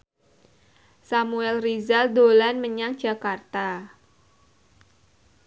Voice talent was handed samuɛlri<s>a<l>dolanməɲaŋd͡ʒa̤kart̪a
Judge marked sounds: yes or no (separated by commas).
no, yes